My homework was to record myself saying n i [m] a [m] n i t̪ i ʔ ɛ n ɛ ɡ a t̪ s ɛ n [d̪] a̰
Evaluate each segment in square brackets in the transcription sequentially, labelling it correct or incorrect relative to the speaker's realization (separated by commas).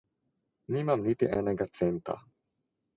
correct, correct, incorrect